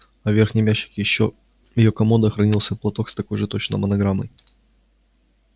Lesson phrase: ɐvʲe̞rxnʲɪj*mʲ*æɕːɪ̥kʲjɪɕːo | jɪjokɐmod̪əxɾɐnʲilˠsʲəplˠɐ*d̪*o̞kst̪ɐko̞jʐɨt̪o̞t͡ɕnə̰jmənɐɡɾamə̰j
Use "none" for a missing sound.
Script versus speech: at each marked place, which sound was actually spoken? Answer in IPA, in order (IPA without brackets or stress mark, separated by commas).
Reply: mʲ, t̪